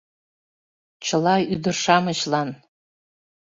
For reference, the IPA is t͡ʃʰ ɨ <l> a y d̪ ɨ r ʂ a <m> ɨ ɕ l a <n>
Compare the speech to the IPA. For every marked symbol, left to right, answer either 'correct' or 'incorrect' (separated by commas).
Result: correct, correct, correct